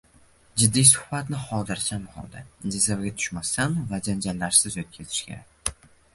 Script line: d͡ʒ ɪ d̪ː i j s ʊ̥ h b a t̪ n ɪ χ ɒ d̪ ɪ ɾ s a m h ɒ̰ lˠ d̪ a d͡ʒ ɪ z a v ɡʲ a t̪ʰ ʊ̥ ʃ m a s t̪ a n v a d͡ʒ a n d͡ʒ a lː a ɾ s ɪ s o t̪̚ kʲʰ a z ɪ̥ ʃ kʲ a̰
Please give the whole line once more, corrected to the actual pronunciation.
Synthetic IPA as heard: d͡ʒ ɪ d̪ː i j s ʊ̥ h b a t̪ n ɪ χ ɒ d̪ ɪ ɾ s a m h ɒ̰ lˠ d̪ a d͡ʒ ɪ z a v ɡʲ a t̪ʰ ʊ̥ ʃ m a s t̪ a n v a d͡ʒ a n d͡ʒ a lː a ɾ s ɪ z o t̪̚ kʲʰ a z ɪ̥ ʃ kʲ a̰